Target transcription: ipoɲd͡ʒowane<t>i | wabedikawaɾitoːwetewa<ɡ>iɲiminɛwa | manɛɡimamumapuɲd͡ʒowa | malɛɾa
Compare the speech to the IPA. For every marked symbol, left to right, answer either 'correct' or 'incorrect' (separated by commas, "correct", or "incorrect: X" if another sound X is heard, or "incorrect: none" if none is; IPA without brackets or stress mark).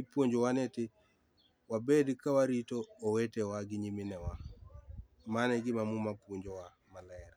correct, correct